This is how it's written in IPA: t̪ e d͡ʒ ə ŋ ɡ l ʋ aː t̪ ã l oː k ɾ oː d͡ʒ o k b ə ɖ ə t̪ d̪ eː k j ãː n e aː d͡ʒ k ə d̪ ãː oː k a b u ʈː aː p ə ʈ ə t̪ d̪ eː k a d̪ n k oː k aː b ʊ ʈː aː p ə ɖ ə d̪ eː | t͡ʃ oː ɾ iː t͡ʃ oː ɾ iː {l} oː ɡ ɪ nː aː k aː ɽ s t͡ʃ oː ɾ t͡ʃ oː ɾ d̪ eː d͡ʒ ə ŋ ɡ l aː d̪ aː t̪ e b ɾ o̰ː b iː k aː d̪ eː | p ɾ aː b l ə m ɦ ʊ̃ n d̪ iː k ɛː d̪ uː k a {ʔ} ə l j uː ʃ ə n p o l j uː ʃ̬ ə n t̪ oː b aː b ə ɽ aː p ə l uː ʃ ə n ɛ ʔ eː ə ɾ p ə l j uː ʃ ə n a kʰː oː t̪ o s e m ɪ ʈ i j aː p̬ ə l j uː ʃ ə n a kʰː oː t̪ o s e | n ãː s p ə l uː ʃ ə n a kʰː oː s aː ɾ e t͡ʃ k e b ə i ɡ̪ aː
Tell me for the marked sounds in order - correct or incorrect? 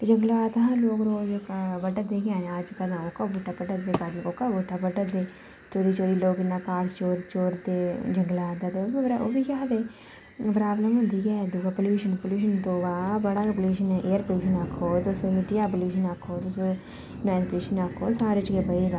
correct, incorrect

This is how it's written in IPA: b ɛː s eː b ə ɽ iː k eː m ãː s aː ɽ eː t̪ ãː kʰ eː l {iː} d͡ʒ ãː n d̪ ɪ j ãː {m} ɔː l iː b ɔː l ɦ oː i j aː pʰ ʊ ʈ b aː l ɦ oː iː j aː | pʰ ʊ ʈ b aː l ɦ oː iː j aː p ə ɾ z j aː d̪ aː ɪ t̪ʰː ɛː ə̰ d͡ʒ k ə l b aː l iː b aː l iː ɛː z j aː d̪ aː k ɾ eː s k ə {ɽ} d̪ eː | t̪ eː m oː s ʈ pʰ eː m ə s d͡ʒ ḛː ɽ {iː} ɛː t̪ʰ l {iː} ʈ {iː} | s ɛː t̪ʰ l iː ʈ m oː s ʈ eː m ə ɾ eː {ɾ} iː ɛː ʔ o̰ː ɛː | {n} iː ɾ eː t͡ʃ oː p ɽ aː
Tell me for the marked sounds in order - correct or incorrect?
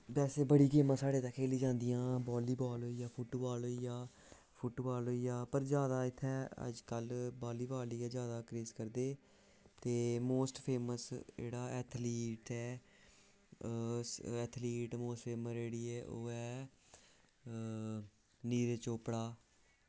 correct, incorrect, incorrect, incorrect, correct, incorrect, incorrect, correct

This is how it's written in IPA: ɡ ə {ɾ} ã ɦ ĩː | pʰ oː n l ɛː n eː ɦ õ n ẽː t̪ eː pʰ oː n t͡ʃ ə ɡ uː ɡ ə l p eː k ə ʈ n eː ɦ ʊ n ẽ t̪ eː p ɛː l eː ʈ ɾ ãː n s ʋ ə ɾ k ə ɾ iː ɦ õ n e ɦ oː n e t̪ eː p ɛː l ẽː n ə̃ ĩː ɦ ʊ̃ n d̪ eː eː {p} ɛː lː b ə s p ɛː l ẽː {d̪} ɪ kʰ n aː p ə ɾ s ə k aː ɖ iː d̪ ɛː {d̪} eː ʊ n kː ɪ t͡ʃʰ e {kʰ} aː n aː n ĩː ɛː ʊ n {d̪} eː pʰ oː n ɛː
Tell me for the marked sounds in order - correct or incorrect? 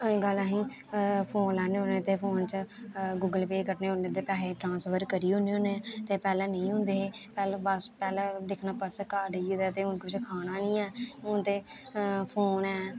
incorrect, correct, correct, incorrect, correct, incorrect

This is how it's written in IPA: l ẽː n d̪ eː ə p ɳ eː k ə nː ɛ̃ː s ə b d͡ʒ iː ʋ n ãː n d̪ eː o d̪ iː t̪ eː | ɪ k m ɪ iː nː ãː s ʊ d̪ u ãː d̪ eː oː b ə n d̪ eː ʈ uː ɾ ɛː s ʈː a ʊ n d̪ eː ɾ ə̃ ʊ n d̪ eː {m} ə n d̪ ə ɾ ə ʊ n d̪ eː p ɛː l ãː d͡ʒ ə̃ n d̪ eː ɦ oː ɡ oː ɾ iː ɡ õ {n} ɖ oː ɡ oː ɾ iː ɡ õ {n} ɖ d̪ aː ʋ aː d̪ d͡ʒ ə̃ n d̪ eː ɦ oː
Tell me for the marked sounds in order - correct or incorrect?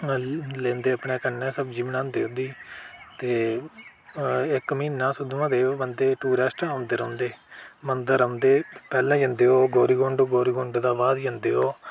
correct, incorrect, incorrect

